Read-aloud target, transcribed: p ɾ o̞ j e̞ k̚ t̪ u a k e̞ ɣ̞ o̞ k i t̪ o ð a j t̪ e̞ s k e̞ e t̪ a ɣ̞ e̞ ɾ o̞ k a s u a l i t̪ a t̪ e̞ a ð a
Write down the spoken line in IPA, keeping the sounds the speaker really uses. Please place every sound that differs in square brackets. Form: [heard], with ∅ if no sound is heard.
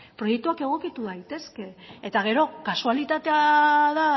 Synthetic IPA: p ɾ o̞ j e̞ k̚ t̪ u a k e̞ ɣ̞ o̞ k i t̪ [u] ð a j t̪ e̞ s k e̞ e t̪ a ɣ̞ e̞ ɾ o̞ k a s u a l i t̪ a t̪ e̞ a ð a